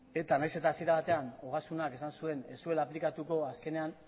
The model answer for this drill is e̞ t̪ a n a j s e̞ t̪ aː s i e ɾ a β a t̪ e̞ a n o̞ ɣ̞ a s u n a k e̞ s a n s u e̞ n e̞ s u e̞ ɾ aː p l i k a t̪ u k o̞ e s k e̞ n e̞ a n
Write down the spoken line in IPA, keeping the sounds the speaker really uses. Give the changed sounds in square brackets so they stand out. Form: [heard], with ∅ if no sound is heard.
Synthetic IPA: e̞ t̪ a n a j s e̞ t̪ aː s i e ɾ a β a t̪ e̞ a n o̞ ɣ̞ a s u n a k e̞ s a n s u e̞ n e̞ s u e̞ [l] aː p l i k a t̪ u k o̞ [a] s k e̞ n e̞ a n